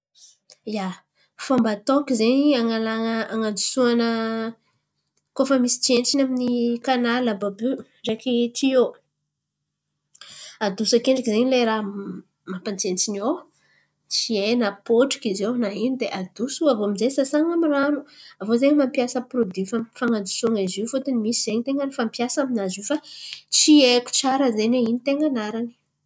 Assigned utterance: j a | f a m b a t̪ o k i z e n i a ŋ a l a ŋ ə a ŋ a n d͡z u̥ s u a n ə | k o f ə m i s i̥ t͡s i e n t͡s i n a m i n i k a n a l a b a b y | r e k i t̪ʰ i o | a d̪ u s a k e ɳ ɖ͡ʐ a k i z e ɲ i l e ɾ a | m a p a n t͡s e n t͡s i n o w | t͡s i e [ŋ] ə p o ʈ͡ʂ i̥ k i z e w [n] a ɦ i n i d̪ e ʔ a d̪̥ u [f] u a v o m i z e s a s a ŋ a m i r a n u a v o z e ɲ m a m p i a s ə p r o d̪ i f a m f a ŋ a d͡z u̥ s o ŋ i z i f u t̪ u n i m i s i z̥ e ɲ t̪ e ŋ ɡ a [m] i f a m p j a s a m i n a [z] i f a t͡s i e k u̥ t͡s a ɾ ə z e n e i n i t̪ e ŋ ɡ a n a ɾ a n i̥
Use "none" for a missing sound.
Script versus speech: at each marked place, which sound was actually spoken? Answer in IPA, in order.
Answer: n, n, s, n, z

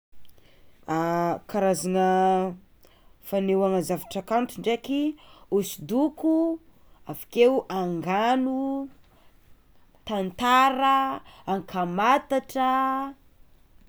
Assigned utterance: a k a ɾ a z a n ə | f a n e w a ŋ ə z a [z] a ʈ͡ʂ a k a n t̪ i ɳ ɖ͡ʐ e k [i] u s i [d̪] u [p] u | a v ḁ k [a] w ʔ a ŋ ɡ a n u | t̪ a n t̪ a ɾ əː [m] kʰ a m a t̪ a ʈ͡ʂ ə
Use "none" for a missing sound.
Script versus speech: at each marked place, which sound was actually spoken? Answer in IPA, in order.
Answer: v, i, d̪, k, e, ŋ

